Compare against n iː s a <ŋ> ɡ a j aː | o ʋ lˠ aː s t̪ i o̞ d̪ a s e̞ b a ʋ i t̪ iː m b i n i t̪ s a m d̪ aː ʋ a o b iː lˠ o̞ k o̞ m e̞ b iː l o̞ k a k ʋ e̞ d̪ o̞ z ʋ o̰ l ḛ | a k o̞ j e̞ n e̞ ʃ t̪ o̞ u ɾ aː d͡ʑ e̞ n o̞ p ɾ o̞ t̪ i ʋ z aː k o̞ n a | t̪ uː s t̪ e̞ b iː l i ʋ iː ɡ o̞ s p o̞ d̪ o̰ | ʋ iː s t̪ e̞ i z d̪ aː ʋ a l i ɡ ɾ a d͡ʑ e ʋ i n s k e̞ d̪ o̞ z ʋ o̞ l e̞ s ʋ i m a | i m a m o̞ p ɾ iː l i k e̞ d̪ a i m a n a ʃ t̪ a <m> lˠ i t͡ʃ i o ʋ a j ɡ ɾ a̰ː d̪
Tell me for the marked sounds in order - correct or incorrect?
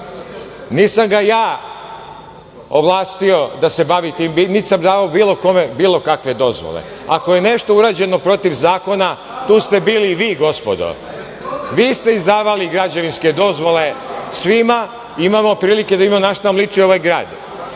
incorrect: m, correct

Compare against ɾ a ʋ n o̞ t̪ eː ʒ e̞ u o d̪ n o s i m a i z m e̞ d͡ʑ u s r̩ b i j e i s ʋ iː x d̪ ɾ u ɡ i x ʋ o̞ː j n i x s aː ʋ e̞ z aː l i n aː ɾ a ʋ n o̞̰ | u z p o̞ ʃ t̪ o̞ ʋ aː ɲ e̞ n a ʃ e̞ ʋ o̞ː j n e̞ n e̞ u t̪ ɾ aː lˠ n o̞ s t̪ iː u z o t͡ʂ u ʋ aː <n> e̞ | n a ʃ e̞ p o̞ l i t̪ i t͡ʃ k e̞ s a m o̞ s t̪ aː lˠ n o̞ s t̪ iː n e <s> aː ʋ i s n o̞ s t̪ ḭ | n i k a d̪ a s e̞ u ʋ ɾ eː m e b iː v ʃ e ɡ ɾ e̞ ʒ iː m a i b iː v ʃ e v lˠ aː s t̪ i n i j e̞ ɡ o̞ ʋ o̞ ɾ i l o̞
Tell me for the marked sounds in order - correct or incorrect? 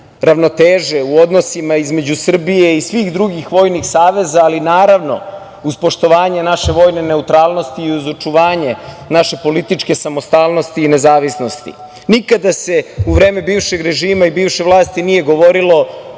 incorrect: ɲ, incorrect: z

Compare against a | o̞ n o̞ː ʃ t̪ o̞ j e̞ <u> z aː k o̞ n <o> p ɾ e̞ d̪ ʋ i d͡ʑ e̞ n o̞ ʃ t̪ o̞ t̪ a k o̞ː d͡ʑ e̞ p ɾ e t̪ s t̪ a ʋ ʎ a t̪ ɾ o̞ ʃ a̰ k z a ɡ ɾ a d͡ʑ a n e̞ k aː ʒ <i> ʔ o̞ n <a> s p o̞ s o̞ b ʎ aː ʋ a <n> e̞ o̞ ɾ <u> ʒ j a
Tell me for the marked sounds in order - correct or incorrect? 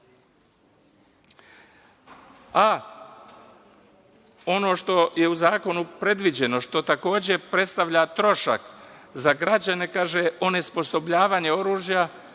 correct, incorrect: u, incorrect: e, incorrect: e, incorrect: ɲ, incorrect: uː

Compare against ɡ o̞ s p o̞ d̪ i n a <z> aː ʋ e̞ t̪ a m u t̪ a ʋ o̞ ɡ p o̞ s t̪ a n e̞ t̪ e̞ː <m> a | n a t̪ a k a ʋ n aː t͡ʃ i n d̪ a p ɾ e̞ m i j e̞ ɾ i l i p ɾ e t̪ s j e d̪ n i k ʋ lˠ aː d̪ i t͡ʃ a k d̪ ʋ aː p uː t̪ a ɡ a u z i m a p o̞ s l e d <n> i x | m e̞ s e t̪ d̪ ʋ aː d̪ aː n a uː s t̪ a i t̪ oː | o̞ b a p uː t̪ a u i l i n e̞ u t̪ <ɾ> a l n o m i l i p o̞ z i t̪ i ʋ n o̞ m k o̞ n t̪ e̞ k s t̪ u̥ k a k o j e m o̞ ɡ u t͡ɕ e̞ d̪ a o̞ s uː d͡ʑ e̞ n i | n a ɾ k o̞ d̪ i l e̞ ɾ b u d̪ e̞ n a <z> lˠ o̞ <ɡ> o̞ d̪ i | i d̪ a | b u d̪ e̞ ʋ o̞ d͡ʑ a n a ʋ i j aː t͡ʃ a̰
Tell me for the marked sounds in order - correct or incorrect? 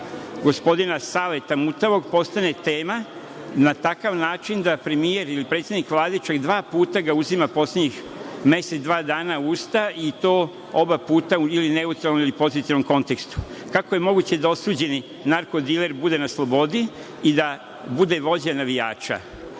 incorrect: s, correct, incorrect: ɲ, correct, incorrect: s, incorrect: b

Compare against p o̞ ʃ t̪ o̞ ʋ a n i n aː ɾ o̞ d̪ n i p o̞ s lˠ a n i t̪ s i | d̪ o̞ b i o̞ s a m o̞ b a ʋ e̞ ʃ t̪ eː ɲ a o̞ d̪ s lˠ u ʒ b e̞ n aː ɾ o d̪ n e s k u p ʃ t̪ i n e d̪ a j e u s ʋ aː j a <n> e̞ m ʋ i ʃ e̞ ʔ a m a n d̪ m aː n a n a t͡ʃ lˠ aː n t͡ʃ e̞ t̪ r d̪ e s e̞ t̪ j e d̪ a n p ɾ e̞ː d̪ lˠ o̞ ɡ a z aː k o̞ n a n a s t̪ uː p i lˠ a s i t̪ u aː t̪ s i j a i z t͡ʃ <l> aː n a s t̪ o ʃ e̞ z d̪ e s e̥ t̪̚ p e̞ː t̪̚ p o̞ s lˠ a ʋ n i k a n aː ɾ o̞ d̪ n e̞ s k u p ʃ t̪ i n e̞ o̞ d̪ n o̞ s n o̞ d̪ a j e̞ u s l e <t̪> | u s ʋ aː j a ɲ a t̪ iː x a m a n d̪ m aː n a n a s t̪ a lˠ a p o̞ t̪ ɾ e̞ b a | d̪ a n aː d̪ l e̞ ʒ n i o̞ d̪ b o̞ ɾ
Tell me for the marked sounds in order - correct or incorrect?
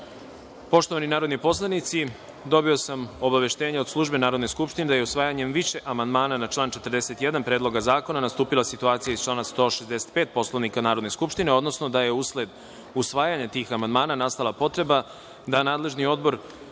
incorrect: ɲ, correct, incorrect: d̪

